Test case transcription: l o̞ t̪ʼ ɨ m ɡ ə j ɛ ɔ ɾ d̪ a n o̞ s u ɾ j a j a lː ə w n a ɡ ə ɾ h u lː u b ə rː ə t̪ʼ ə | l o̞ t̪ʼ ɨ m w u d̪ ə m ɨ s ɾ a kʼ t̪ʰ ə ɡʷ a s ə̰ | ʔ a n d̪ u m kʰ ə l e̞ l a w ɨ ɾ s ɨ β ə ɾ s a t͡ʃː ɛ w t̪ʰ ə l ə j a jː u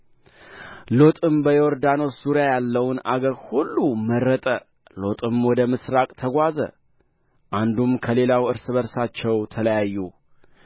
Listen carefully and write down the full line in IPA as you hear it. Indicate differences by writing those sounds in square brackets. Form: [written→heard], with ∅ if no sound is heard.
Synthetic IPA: l o̞ t̪ʼ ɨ m [ɡ→b] ə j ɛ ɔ ɾ d̪ a n o̞ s u ɾ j a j a lː ə w n a ɡ ə ɾ h u lː u [b→m] ə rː ə t̪ʼ ə | l o̞ t̪ʼ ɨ m w [u→ɔ] d̪ ə m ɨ s ɾ a kʼ t̪ʰ ə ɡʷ a [s→z] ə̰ | ʔ a n d̪ u m kʰ ə l e̞ l a w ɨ ɾ s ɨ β ə ɾ s a t͡ʃː ɛ w t̪ʰ ə l ə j a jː u